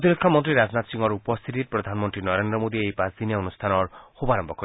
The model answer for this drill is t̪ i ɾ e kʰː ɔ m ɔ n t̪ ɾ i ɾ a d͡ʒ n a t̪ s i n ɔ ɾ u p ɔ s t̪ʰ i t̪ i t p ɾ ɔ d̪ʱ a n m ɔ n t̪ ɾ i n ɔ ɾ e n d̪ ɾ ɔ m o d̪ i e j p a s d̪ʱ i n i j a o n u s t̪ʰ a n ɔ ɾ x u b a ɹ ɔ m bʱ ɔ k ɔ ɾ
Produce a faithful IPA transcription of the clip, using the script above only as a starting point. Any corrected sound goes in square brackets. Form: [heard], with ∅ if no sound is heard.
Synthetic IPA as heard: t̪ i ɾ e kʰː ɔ m ɔ n t̪ ɾ i ɾ a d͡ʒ n a t̪ s i [ŋ] ɔ ɾ u p ɔ s t̪ʰ i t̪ i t p ɾ ɔ d̪ʱ a n m ɔ n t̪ ɾ i n ɔ ɾ e n d̪ ɾ ɔ m o d̪ i e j p a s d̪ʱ i n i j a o n u s t̪ʰ a n ɔ ɾ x u b a [ɾ] ɔ m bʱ ɔ k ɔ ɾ